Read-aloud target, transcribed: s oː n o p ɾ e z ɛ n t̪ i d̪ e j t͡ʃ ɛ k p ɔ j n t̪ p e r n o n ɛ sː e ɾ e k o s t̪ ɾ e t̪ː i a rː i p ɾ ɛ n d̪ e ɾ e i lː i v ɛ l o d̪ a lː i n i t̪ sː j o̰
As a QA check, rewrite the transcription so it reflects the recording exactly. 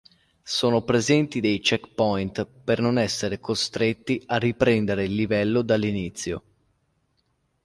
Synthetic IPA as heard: s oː n o p ɾ e z ɛ n t̪ i d̪ e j t͡ʃ ɛ k p ɔ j n t̪ p e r n o n ɛ sː e ɾ e k o s t̪ ɾ e t̪ː i a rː i p ɾ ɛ n d̪ e ɾ e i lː i v ɛ lː o d̪ a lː i n i t̪ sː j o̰